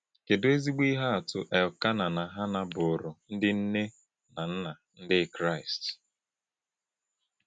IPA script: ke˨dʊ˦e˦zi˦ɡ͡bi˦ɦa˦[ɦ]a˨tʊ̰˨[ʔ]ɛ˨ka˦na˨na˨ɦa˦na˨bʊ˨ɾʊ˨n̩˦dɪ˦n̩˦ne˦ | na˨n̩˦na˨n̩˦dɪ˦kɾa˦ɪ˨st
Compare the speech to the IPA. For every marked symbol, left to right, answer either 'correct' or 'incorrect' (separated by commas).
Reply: incorrect, correct